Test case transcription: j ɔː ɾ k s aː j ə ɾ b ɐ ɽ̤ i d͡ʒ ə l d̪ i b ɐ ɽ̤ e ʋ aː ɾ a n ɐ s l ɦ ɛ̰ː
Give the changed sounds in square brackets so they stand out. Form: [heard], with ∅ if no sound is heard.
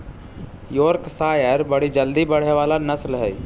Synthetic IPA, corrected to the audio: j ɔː ɾ k s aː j ə ɾ b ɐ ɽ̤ i d͡ʒ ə l d̪ i b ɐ ɽ̤ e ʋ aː [l] a n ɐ s l ɦ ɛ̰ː